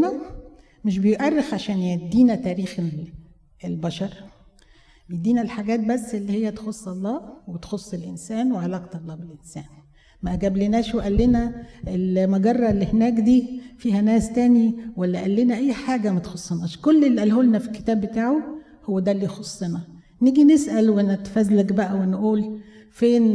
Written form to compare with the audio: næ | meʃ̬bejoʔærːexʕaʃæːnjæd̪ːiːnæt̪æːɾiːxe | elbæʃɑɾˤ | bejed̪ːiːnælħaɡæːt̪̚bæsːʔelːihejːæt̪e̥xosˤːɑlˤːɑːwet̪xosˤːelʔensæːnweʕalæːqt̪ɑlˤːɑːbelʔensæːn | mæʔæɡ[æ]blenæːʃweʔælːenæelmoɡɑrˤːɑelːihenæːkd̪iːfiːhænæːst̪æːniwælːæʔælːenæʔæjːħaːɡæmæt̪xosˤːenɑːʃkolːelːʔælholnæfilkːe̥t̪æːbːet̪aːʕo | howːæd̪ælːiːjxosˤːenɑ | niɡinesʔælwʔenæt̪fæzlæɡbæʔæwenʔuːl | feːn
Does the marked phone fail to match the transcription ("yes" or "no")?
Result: no